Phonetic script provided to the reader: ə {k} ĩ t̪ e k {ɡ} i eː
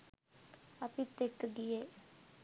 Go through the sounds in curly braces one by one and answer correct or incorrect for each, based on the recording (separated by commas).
incorrect, correct